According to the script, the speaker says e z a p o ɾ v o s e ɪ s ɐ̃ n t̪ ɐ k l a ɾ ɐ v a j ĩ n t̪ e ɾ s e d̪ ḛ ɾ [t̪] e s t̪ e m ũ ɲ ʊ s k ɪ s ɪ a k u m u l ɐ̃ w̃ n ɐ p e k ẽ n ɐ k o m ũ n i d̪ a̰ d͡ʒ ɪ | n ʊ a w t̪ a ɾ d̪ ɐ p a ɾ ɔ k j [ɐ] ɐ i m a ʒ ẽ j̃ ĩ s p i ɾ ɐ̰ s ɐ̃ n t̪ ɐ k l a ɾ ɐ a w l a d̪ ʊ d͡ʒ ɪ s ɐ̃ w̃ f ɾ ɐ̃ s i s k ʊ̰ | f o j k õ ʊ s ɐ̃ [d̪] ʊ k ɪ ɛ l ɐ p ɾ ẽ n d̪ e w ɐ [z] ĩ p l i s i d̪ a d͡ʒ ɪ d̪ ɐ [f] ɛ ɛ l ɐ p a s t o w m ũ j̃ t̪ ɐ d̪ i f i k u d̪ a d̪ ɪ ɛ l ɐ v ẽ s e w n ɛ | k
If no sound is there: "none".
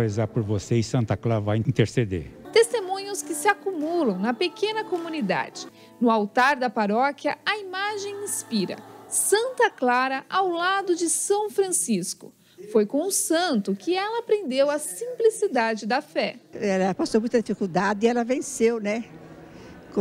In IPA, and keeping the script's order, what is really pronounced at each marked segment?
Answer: t̪, ɐ, t̪, s, f

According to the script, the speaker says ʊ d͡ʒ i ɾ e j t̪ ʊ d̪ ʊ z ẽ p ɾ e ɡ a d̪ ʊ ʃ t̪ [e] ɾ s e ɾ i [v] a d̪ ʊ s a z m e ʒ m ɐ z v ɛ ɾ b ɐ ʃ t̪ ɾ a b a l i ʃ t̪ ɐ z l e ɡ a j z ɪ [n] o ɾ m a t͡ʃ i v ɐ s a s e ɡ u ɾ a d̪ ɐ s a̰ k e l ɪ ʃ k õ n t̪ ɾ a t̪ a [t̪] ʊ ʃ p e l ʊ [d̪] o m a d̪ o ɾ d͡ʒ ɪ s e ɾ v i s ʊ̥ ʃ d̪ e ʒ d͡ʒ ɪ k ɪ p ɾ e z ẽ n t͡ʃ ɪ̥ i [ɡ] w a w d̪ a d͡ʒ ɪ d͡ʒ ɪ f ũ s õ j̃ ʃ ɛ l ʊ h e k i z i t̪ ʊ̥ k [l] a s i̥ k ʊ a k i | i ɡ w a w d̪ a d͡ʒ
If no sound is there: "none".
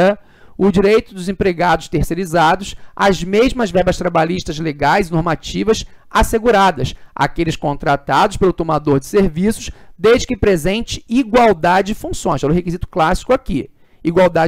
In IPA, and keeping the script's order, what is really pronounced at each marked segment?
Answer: e, z, n, d̪, t̪, ɡ, l

